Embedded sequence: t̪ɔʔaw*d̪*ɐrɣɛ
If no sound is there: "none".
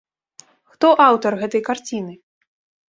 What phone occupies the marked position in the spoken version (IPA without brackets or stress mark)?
t̪